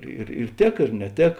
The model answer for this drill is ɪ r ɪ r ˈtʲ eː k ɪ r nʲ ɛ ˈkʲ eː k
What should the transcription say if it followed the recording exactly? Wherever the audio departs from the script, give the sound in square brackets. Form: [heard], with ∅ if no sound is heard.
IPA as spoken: ɪ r ɪ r ˈtʲ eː k ɪ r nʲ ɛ [ˈtʲ] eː k